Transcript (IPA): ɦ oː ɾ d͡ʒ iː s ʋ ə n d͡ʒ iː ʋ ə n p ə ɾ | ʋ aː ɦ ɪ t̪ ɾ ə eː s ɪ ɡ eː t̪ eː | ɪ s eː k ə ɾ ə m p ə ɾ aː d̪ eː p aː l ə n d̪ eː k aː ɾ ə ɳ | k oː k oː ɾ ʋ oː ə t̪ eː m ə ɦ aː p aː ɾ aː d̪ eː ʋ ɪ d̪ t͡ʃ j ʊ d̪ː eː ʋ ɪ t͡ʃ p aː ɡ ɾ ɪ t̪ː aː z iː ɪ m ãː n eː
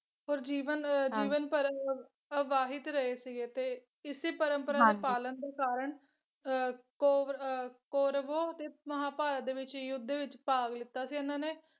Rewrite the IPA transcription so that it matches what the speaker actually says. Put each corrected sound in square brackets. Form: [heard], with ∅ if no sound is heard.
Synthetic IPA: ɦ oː ɾ d͡ʒ iː [∅] ʋ ə n d͡ʒ iː ʋ ə n p ə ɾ | ʋ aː ɦ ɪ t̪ ɾ ə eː s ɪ ɡ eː t̪ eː | ɪ s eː [p] ə ɾ ə m p ə ɾ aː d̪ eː p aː l ə n d̪ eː k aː ɾ ə ɳ | k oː k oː ɾ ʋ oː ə t̪ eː m ə ɦ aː p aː ɾ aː d̪ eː ʋ ɪ [∅] t͡ʃ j ʊ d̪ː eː ʋ ɪ t͡ʃ p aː ɡ [l] ɪ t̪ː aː [s] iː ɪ [n] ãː n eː